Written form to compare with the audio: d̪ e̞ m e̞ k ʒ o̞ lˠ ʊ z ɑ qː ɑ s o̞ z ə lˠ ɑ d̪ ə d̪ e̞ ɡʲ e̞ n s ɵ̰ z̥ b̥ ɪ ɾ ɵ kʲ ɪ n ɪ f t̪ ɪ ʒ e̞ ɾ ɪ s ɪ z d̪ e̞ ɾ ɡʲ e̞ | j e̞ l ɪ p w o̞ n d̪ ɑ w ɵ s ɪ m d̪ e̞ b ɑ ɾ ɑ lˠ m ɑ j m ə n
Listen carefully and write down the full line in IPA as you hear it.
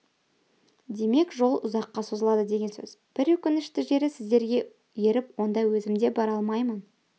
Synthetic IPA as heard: d̪ e̞ m e̞ k ʒ o̞ lˠ ʊ z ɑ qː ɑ s o̞ z ə lˠ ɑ d̪ ə d̪ e̞ ɡʲ e̞ n s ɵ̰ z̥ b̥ ɪ ɾ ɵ kʲ ɪ n ɪ ʃ t̪ ɪ ʒ e̞ ɾ ɪ s ɪ z d̪ e̞ ɾ ɡʲ e̞ | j e̞ ɾ ɪ p w o̞ n d̪ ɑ w ɵ z ɪ m d̪ e̞ b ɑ ɾ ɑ lˠ m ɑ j m ə n